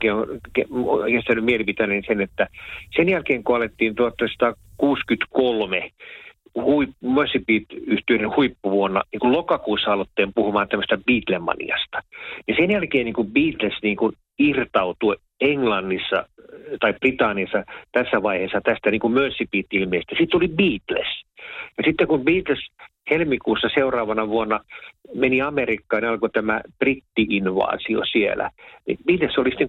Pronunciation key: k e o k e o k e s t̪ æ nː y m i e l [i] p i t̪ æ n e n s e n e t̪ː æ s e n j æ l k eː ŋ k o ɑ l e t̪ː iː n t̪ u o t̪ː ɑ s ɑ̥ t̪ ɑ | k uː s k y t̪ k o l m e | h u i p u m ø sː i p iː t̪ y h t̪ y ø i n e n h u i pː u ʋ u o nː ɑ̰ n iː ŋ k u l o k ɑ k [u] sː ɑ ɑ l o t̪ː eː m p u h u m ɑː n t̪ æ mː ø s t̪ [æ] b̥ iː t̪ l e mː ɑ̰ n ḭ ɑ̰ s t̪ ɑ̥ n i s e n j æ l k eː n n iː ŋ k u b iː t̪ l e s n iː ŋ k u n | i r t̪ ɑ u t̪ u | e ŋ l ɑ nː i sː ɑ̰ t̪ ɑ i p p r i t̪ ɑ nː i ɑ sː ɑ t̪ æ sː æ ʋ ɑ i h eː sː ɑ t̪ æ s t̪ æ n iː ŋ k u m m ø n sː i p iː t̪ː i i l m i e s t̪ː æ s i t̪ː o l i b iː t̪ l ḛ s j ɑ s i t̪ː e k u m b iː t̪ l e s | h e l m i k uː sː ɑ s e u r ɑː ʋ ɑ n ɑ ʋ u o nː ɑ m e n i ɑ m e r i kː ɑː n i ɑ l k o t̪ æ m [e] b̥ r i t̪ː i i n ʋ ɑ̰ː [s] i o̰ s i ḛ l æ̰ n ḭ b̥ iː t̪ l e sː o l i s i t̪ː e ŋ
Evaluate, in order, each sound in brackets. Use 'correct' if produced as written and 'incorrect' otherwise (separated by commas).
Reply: correct, incorrect, correct, incorrect, correct